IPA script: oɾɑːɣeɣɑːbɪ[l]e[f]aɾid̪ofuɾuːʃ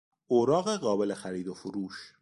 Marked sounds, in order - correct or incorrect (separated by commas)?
correct, incorrect